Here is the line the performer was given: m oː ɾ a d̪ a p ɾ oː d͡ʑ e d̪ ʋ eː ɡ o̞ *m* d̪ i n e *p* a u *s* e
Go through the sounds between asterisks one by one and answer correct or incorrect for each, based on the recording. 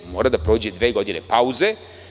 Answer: incorrect: none, correct, incorrect: z

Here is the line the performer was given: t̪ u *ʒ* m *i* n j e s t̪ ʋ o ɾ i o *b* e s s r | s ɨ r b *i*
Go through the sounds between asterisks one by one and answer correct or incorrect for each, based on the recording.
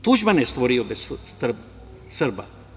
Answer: correct, incorrect: a, correct, incorrect: a

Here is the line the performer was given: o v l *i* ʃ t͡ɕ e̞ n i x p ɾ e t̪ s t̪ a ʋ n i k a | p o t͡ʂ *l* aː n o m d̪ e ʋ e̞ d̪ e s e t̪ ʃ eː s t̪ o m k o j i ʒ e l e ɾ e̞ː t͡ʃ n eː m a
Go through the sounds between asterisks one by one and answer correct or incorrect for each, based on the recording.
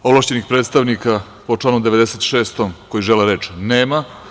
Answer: incorrect: a, correct

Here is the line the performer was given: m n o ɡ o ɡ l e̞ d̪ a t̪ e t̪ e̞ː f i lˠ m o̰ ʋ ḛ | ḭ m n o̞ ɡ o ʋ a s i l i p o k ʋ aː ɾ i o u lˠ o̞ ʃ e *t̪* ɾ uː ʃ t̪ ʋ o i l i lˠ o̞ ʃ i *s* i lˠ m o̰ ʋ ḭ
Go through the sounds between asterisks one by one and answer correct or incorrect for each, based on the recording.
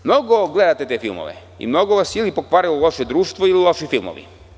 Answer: incorrect: d̪, incorrect: f

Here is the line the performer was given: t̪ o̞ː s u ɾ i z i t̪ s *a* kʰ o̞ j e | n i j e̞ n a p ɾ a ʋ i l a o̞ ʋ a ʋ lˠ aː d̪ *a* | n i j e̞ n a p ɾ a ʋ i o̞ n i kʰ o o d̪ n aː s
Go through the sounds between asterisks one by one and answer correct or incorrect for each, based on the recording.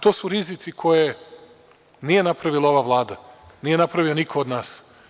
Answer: incorrect: i, correct

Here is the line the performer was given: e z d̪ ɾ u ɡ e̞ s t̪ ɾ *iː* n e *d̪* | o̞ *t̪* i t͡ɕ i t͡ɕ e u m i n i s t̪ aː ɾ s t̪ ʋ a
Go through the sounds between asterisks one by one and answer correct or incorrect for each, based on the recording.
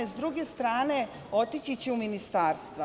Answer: incorrect: aː, incorrect: none, correct

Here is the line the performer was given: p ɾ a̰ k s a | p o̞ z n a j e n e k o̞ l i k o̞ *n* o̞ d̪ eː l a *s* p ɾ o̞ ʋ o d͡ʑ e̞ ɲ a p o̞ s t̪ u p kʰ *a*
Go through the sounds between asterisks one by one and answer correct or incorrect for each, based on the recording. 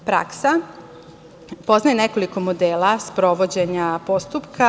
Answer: incorrect: m, correct, correct

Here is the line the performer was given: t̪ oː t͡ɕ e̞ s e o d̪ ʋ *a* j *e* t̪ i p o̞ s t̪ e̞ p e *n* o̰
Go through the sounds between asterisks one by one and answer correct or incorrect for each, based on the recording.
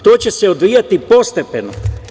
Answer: incorrect: i, incorrect: a, correct

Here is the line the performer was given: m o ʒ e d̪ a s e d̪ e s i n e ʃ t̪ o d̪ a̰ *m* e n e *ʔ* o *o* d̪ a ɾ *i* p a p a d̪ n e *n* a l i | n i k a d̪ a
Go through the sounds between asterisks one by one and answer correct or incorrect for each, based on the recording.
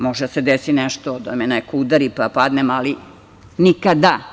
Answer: correct, incorrect: k, incorrect: u, correct, incorrect: m

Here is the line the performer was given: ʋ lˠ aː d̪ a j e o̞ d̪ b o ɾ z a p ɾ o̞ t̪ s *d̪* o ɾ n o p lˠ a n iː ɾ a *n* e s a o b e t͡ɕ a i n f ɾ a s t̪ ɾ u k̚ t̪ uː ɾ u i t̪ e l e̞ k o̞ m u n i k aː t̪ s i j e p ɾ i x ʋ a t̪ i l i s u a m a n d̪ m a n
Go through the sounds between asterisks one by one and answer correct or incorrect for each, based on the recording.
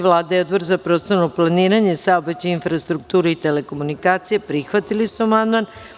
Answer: incorrect: t̪, incorrect: ɲ

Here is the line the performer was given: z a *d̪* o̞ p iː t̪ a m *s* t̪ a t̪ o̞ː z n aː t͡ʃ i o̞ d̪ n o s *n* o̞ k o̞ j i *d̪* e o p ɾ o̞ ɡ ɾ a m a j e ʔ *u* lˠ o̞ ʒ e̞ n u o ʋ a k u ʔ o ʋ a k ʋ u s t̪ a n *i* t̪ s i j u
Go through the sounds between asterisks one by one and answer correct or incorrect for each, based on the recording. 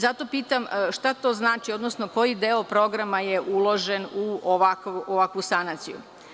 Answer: incorrect: t̪, incorrect: ʃ, correct, correct, correct, incorrect: a

